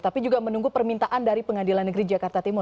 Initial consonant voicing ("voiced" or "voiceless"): voiceless